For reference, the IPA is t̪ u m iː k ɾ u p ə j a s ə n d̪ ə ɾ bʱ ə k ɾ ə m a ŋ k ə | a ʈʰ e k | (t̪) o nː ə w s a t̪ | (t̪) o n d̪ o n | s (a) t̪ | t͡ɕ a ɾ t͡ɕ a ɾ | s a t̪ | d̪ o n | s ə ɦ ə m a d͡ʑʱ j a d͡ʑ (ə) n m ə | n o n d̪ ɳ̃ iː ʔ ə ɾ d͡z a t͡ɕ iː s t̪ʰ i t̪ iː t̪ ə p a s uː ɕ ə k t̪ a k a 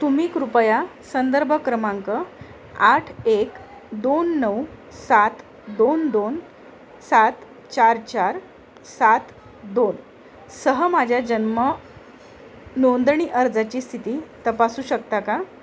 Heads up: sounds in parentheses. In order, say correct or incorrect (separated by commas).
incorrect, incorrect, correct, correct